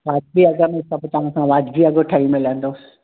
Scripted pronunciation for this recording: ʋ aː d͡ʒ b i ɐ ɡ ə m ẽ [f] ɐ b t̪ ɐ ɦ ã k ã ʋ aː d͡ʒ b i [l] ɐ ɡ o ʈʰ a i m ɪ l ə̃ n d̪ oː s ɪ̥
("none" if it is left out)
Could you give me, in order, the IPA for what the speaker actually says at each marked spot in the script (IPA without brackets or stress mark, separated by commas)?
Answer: s, none